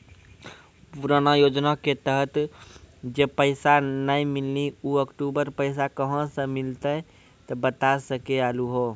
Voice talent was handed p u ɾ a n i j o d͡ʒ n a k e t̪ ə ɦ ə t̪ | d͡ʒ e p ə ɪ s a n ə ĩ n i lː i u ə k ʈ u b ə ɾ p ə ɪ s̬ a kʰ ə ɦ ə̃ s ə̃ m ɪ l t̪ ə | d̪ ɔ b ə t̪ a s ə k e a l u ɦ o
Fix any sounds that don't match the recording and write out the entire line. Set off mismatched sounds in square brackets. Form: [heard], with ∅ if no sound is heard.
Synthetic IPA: p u ɾ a n [a] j o d͡ʒ n a k e t̪ ə ɦ ə t̪ | d͡ʒ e p ə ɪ s a n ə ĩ [m] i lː i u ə k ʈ u b ə ɾ p ə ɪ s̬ a [k] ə ɦ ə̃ s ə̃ m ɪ l t̪ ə | [t̪] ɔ b ə t̪ a s ə k e a l u ɦ o